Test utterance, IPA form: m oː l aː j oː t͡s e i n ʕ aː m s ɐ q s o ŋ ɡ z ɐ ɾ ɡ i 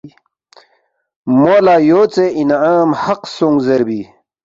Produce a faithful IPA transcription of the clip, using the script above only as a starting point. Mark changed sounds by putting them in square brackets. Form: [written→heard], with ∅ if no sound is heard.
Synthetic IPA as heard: m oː l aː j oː t͡s e i n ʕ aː m [s→h] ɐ q s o ŋ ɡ z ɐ ɾ [ɡ→b] i